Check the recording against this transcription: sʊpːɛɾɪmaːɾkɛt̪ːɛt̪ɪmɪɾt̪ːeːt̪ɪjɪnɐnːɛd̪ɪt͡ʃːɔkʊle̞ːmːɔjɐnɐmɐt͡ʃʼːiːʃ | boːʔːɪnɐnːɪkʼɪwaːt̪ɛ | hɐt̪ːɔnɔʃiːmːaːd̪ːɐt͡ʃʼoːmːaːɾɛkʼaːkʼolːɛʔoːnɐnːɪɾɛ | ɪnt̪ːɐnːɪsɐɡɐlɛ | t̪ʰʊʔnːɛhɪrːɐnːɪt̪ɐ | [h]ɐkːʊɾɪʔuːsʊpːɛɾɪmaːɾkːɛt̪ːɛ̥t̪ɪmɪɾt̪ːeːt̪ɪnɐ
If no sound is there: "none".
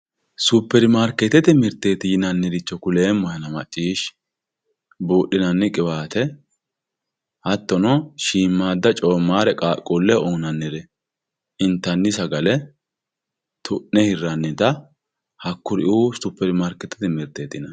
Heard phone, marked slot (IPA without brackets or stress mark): h